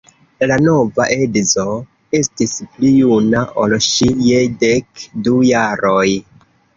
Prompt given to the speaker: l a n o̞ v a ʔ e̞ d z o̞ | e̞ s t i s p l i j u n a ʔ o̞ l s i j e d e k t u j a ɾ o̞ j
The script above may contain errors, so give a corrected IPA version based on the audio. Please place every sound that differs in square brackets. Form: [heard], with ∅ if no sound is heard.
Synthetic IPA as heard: l a n o̞ v a ʔ e̞ d z o̞ | e̞ s t i s p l i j u n a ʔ o̞ l [ʃ] i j e d e k [d] u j a ɾ o̞ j